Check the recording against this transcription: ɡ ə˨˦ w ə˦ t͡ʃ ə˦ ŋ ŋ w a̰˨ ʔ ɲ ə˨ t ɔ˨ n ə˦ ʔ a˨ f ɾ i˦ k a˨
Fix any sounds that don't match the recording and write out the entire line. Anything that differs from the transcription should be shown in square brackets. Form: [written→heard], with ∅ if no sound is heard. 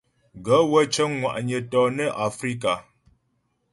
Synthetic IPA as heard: ɡ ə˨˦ w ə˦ t͡ʃ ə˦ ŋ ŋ w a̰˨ ʔ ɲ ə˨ t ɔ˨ n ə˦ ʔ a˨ f ɾ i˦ k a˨